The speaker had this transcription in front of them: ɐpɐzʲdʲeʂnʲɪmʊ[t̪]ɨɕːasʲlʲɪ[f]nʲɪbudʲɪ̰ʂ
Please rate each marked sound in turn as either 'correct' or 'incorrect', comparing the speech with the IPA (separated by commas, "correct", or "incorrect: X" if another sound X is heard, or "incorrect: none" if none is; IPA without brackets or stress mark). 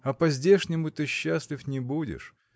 correct, correct